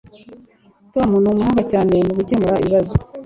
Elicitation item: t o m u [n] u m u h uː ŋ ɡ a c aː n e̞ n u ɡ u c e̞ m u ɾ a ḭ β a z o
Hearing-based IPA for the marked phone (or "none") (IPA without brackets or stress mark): n